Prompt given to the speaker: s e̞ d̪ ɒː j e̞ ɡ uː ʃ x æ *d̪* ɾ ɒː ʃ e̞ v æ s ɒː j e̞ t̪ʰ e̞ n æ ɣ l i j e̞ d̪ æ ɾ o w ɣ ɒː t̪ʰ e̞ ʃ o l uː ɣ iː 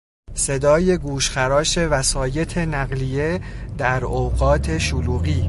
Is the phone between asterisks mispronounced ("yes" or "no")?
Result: yes